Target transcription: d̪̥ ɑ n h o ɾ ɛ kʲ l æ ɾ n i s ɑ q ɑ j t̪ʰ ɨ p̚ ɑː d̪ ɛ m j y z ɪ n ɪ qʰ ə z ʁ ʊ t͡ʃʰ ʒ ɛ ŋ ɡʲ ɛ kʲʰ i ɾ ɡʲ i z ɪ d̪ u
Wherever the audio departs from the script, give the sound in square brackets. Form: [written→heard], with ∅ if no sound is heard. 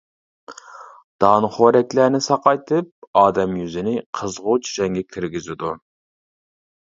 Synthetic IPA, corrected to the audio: d̪̥ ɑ n [h→χ] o ɾ ɛ kʲ l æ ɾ n [i→ɪ] s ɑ q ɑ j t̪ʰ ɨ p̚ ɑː d̪ ɛ m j y z ɪ n ɪ qʰ ə z ʁ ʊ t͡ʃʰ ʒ ɛ ŋ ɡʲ ɛ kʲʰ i ɾ ɡʲ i z ɪ d̪ u